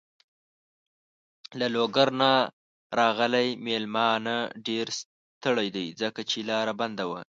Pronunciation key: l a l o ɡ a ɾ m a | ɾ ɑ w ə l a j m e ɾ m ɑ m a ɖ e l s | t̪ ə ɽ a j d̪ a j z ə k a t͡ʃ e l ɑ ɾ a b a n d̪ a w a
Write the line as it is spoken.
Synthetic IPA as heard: l a l o ɡ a ɾ n a | ɾ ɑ ɣ ə l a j m e l m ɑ n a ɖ e ɾ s | t̪ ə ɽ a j d̪ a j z ə k a t͡ʃ e l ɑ ɾ a b a n d̪ a w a